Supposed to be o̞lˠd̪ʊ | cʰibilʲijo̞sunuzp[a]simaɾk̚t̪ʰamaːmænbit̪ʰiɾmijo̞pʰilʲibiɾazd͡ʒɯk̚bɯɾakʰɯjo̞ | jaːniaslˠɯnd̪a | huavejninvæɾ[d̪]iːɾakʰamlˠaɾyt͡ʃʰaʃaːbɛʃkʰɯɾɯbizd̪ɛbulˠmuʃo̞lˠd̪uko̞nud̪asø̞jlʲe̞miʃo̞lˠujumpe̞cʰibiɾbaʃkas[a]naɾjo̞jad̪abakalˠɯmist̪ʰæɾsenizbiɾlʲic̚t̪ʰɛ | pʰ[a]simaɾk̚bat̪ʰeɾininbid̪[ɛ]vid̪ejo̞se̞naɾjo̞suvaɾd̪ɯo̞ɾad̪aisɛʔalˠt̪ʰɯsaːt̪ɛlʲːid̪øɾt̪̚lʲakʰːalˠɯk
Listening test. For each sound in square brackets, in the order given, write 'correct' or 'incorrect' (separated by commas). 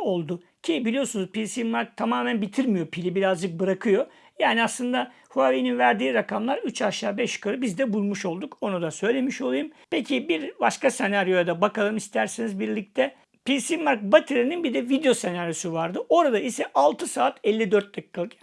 incorrect, correct, incorrect, incorrect, correct